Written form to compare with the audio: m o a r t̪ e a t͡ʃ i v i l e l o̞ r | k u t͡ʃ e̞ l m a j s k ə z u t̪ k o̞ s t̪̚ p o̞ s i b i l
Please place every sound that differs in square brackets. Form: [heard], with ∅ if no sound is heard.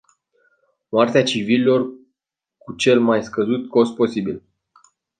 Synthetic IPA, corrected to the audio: m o a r t̪ e a t͡ʃ i v i l [i] l o̞ r | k u t͡ʃ e̞ l m a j s k ə z u t̪ k o̞ s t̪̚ p o̞ s i b i l